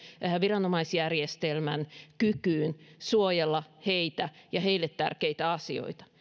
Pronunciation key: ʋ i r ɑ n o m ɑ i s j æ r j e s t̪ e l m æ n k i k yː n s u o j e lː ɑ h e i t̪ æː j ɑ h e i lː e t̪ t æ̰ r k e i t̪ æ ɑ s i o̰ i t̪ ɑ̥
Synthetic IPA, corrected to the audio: ʋ i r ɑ n o m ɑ i s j æ r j e s t̪ e l m æ n k y k yː n s u o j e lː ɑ h e i t̪ æ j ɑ h e i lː e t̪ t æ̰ r k e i t̪ æ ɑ s i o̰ i t̪ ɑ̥